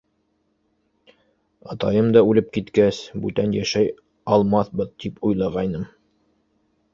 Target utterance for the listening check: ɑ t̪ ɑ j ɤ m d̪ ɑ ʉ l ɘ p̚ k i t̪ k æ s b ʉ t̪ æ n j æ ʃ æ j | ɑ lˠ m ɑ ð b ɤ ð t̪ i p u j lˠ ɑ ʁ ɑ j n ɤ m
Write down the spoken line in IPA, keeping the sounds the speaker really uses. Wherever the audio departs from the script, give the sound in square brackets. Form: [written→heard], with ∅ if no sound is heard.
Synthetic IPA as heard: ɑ t̪ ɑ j ɤ m d̪ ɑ ʉ l ɘ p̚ k i t̪ k æ s b ʉ t̪ æ n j æ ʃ æ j | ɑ lˠ m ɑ [ð→θ] b ɤ ð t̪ i p u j lˠ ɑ ʁ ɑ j n ɤ m